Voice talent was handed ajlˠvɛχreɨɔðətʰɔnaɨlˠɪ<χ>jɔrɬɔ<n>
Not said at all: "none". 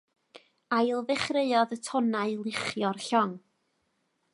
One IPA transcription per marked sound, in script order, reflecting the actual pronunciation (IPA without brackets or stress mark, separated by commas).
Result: χ, ŋ